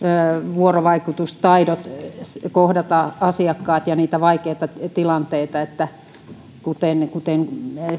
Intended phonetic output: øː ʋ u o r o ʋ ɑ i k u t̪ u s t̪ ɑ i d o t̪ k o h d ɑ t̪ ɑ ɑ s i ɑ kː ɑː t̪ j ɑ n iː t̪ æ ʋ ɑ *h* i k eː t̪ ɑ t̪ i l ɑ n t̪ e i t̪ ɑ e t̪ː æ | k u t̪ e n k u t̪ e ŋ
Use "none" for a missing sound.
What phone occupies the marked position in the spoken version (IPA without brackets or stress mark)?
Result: none